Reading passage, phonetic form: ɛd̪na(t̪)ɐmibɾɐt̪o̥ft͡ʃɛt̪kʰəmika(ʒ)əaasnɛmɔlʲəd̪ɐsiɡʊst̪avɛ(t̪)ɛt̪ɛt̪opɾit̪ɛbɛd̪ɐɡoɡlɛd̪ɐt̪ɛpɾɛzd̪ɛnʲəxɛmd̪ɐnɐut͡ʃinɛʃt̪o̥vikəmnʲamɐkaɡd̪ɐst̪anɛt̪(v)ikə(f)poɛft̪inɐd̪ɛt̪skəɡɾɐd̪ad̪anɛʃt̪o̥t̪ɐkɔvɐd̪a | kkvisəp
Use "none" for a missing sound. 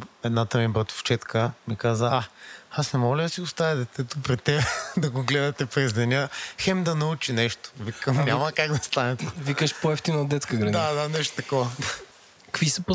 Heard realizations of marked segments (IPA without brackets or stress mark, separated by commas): t̪, z, d̪, v, ʃ